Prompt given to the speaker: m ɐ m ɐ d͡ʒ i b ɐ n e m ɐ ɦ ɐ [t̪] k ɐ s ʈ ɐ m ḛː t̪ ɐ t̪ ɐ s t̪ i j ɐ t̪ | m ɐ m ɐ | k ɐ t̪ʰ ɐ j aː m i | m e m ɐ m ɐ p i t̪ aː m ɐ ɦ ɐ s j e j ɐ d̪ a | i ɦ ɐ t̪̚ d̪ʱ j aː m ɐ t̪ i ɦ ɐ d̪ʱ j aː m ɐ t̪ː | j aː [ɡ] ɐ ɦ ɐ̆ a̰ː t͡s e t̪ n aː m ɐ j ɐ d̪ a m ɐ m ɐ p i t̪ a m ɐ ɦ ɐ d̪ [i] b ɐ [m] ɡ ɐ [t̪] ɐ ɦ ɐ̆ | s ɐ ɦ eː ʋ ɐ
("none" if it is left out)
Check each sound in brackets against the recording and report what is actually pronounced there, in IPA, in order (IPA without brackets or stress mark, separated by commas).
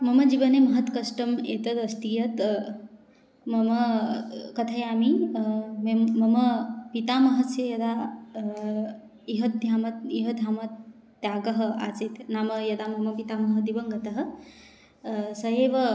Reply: t̪, ɡ, i, ŋ, t̪